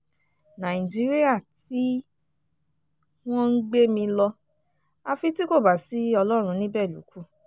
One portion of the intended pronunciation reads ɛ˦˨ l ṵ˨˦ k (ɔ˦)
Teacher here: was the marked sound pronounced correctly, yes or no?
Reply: no